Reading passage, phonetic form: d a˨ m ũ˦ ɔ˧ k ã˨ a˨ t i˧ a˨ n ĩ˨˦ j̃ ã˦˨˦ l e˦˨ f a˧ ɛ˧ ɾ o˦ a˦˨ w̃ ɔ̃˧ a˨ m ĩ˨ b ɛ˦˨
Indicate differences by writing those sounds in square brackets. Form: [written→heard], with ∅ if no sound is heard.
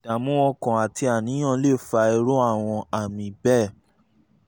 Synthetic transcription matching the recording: d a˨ m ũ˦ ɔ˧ k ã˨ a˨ t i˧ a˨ n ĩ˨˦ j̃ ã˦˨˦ l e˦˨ f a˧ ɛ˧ ɾ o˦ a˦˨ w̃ ɔ̃˧ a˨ m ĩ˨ b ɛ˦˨

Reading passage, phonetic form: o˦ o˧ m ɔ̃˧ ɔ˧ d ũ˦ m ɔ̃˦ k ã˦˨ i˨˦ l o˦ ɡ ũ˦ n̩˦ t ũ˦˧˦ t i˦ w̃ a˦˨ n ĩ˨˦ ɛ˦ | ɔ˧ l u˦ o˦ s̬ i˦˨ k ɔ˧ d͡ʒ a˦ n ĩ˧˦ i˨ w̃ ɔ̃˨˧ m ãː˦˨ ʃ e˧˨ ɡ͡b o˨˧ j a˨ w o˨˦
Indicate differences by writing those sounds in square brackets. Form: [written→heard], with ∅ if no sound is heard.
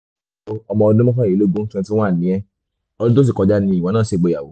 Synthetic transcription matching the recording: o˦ [o˧→ɔ˧] m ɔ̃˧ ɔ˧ d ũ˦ m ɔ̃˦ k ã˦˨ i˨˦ l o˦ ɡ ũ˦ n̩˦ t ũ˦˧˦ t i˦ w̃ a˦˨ n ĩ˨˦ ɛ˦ | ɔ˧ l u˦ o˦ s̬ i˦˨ k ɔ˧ d͡ʒ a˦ n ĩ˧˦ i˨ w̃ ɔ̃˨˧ [m→n] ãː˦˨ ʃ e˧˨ ɡ͡b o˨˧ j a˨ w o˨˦

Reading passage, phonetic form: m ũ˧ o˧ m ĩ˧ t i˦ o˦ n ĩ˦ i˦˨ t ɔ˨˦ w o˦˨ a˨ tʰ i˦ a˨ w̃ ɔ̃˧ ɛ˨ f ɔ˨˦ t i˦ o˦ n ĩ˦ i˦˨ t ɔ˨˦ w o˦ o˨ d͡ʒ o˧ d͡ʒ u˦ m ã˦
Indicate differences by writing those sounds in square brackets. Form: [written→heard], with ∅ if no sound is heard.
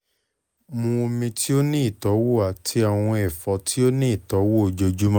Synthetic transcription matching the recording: m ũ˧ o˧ m ĩ˧ t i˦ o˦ n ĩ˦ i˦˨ t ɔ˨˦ w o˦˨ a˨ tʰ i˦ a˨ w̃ ɔ̃˧ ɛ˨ f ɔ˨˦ t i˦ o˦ n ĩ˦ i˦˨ t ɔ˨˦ w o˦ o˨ d͡ʒ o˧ d͡ʒ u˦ m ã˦

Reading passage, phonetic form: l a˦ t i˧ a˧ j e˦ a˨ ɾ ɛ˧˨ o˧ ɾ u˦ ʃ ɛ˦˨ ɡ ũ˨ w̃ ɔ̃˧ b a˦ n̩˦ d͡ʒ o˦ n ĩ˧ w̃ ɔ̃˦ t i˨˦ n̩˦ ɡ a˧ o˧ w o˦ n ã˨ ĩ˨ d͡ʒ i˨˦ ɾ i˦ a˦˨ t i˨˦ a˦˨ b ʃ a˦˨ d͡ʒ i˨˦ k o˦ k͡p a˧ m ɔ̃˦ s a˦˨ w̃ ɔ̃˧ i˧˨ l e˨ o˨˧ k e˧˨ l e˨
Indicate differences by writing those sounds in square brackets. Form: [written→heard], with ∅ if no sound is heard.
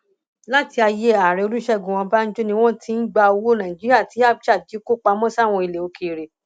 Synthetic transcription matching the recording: l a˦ t i˧ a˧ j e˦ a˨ ɾ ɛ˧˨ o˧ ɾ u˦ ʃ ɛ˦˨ ɡ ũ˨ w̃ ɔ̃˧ b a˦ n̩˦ d͡ʒ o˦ n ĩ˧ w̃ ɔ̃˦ t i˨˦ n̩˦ [ɡ→ɡ͡b] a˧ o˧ w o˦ n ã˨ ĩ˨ d͡ʒ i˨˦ ɾ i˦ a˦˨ t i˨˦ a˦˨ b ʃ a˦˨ d͡ʒ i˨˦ k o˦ k͡p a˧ m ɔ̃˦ s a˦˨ w̃ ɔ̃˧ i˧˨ l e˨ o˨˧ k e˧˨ [l→ɾ] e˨

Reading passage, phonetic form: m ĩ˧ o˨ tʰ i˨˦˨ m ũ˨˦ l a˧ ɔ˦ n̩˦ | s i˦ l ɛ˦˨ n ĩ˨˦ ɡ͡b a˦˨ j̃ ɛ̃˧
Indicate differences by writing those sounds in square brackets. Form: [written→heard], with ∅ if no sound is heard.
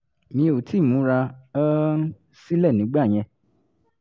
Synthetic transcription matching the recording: m ĩ˧ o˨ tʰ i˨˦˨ m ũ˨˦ [l→ɾ] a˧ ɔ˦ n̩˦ | s i˦ l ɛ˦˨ n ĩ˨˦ ɡ͡b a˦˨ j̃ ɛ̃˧

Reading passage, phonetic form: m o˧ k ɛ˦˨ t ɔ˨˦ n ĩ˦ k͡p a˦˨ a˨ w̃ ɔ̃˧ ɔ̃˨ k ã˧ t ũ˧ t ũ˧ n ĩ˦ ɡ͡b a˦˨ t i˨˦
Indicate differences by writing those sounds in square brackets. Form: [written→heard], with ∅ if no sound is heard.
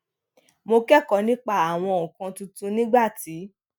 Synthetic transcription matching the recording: m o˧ k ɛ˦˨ [t→k] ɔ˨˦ n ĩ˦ k͡p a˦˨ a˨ w̃ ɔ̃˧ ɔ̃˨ k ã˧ t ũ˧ t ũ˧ n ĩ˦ ɡ͡b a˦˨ t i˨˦

